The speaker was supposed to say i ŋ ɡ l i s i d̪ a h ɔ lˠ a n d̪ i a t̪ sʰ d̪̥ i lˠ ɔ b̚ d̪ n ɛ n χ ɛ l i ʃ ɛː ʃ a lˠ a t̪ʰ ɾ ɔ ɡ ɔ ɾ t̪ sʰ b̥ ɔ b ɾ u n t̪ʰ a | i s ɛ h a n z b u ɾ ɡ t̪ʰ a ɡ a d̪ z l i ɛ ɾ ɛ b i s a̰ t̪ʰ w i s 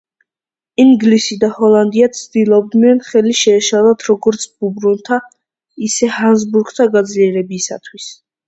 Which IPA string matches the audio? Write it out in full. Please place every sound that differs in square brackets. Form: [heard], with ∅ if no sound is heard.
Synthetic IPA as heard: i ŋ ɡ l i s i d̪ a h ɔ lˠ a n d̪ i a t̪ sʰ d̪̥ i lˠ ɔ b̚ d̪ n ɛ n χ ɛ l i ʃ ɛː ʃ a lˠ a t̪ʰ ɾ ɔ ɡ ɔ ɾ t̪ sʰ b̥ [u] b ɾ u n t̪ʰ a | i s ɛ h a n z b u ɾ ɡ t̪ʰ a ɡ a d̪ z l i ɛ ɾ ɛ b i s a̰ t̪ʰ w i s